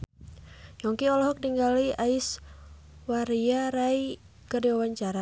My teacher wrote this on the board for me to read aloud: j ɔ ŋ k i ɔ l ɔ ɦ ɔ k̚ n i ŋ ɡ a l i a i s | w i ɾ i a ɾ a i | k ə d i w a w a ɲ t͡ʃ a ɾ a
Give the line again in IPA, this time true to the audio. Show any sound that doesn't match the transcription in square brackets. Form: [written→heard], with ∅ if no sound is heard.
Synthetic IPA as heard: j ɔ ŋ k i ɔ l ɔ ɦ ɔ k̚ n i ŋ ɡ a l i a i s | w [i→a] ɾ i a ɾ a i | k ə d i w a w a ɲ t͡ʃ a ɾ a